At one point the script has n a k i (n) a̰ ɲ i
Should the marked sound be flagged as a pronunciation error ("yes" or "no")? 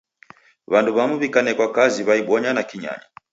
yes